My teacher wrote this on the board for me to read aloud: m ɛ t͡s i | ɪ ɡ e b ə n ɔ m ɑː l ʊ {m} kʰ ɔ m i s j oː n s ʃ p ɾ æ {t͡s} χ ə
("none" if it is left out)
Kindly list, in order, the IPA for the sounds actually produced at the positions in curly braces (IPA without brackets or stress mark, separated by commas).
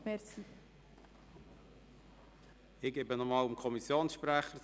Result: m, none